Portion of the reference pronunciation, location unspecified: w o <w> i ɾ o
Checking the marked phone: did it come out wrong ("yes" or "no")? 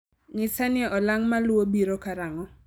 yes